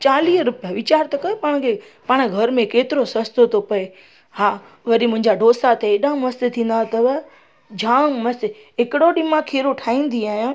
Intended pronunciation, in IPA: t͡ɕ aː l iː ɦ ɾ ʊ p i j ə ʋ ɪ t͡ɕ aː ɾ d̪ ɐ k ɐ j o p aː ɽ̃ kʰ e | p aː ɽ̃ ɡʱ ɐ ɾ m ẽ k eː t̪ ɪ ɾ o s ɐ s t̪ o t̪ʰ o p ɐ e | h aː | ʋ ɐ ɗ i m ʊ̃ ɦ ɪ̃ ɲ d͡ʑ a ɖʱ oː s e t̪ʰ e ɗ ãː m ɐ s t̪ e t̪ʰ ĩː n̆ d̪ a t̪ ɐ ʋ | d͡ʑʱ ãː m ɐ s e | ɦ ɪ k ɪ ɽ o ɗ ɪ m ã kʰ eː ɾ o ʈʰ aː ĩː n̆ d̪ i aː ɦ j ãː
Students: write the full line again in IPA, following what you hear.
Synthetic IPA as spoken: t͡ɕ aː l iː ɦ ɾ ʊ p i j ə ʋ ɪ t͡ɕ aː ɾ t̪ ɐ k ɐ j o p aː ɽ̃ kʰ e | p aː ɽ̃ ɡʱ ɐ ɾ m ẽ k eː t̪ ɪ ɾ o s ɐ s t̪ o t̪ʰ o p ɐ e | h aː | ʋ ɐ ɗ i m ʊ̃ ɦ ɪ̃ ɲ d͡ʑ a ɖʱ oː s a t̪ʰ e ɗ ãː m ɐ s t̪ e t̪ʰ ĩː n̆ d̪ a t̪ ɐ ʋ | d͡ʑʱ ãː m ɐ s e | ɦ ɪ k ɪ ɽ o ɗ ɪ m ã kʰ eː ɾ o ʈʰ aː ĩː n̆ d̪ i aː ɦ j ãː